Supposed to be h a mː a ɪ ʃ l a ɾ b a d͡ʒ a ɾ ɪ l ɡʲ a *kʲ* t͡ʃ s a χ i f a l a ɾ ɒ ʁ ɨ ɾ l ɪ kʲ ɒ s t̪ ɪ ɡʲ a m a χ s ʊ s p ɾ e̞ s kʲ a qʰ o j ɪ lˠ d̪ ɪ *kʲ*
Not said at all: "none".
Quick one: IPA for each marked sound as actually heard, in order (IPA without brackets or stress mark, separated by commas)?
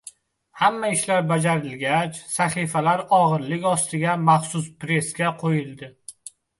none, none